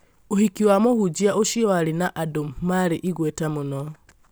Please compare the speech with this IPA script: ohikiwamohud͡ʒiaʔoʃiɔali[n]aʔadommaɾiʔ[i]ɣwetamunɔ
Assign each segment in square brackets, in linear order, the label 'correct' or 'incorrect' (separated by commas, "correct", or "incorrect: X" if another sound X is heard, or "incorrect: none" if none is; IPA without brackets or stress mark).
correct, correct